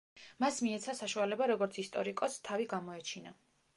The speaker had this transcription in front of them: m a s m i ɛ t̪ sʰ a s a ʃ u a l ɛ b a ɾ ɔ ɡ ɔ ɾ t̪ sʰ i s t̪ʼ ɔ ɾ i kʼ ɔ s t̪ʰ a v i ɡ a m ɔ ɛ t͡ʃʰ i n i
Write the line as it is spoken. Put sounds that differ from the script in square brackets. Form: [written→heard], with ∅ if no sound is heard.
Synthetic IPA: m a s m i ɛ t̪ sʰ a s a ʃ u a l ɛ b a ɾ ɔ ɡ ɔ ɾ t̪ sʰ i s t̪ʼ ɔ ɾ i kʼ ɔ s t̪ʰ a v i ɡ a m ɔ ɛ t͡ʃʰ i n [i→a]

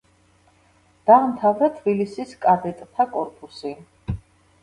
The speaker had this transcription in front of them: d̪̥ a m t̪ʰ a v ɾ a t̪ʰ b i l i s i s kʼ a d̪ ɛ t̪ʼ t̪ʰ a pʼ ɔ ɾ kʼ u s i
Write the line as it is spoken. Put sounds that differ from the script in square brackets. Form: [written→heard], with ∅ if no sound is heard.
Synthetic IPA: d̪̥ a m t̪ʰ a v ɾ a t̪ʰ b i l i s i s kʼ a d̪ ɛ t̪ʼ t̪ʰ a [pʼ→kʼ] ɔ ɾ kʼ u s i

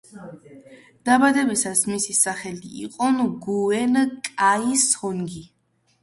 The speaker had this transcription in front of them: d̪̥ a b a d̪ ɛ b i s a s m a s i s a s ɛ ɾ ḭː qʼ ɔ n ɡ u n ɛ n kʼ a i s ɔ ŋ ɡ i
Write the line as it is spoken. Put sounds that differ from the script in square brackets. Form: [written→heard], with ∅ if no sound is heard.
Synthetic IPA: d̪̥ a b a d̪ ɛ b i s a s m [a→i] s i s a [s→χ] ɛ [ɾ→l] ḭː qʼ ɔ n ɡ u [n→∅] ɛ n kʼ a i s ɔ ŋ ɡ i

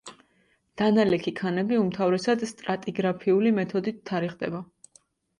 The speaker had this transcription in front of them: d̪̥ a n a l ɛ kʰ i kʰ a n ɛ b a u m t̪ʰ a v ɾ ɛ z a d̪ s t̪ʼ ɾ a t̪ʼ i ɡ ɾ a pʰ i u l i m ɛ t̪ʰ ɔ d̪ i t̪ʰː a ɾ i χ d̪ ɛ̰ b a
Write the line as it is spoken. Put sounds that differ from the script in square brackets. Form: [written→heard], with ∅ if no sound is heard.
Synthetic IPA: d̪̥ a n a l ɛ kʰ i kʰ a n ɛ b [a→i] u m t̪ʰ a v ɾ ɛ [z→s] a d̪ s t̪ʼ ɾ a t̪ʼ i ɡ ɾ a pʰ i u l i m ɛ t̪ʰ ɔ d̪ i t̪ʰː a ɾ i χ d̪ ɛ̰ b a

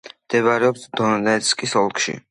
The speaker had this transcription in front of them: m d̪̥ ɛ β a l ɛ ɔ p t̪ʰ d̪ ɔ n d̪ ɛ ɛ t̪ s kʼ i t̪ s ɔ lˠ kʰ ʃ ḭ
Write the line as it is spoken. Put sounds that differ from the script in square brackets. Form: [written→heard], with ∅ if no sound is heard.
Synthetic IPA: m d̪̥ ɛ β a [l→ɾ] ɛ ɔ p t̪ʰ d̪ ɔ n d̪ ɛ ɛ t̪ s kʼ i [t̪→∅] s ɔ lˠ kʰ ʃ ḭ

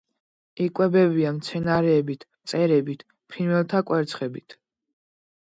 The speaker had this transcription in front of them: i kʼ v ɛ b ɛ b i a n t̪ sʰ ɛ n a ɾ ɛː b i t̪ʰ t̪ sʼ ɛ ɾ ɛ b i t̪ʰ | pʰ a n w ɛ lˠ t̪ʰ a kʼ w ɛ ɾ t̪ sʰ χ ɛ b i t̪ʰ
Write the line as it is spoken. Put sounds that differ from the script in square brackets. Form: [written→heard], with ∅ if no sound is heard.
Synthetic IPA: i kʼ [v→w] ɛ b ɛ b i a [n→m] t̪ sʰ ɛ n a ɾ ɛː b i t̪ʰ t̪ sʼ ɛ ɾ ɛ b i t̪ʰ | pʰ [a→i] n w ɛ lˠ t̪ʰ a kʼ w ɛ ɾ t̪ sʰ χ ɛ b i t̪ʰ

